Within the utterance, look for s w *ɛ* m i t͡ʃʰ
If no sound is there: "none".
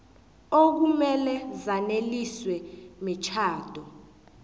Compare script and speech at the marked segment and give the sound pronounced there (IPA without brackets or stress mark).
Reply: ɛ